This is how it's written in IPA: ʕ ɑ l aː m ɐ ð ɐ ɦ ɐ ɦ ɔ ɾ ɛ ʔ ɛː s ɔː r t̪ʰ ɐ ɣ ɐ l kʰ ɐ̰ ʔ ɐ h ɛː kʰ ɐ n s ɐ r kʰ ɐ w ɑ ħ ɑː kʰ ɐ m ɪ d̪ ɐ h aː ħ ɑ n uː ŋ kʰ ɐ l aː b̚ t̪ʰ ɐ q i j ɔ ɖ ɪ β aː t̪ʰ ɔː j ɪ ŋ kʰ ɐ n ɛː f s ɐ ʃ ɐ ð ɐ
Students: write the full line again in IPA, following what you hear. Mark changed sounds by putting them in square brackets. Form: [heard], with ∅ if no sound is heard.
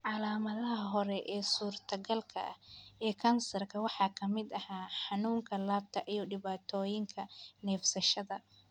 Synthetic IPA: ʕ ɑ l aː m ɐ ð ɐ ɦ ɐ ɦ ɔ ɾ ɛ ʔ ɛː s [uː] r t̪ʰ ɐ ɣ ɐ l kʰ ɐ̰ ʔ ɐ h ɛː kʰ ɐ n s ɐ r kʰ ɐ w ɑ ħ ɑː kʰ ɐ m ɪ d̪ ɐ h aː ħ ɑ n uː ŋ kʰ ɐ l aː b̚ t̪ʰ ɐ [ʔ] i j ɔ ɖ ɪ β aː t̪ʰ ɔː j ɪ ŋ kʰ ɐ n ɛː f s ɐ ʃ ɐ ð ɐ